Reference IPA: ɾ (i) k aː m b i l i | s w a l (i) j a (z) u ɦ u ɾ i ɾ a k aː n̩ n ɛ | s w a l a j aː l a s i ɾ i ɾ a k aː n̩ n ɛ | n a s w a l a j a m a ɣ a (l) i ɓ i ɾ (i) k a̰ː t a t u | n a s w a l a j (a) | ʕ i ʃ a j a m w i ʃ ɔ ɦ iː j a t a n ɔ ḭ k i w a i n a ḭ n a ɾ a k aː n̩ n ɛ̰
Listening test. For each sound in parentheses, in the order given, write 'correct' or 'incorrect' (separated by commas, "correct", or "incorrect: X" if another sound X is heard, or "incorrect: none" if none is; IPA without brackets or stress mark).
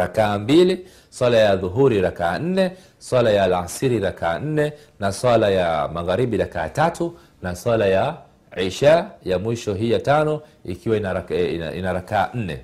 incorrect: a, incorrect: a, incorrect: ð, incorrect: ɾ, incorrect: a, correct